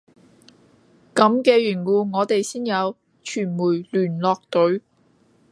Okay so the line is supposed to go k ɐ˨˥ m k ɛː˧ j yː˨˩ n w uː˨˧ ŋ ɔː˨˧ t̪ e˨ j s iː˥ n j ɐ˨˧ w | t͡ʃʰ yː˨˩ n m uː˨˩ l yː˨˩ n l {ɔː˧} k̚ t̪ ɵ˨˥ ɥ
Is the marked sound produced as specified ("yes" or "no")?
yes